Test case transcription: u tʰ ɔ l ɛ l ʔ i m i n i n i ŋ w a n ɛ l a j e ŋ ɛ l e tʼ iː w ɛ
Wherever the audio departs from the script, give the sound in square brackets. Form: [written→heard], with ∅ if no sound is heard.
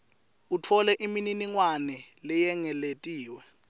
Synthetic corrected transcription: u tʰ ɔ l ɛ [l→∅] ʔ i m i n i n i ŋ w a n ɛ l [a→ɛ] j [e→ɛ] ŋ ɛ l e tʼ iː w ɛ